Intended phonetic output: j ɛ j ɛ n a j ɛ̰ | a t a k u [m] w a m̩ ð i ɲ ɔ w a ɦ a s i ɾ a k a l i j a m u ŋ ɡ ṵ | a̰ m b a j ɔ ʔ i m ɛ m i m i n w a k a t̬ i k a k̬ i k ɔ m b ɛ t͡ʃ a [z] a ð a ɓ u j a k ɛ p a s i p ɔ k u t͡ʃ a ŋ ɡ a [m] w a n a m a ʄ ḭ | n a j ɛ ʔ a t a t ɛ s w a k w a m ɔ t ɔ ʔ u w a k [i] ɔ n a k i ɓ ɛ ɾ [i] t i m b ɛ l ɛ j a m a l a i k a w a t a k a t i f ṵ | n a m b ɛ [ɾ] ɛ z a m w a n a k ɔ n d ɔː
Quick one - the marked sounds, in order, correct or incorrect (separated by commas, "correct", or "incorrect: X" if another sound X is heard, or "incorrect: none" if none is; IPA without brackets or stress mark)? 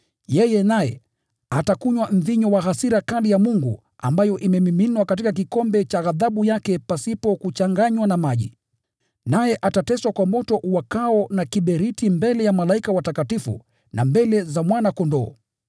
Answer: incorrect: ɲ, incorrect: ɣ, incorrect: ɲ, incorrect: a, correct, incorrect: l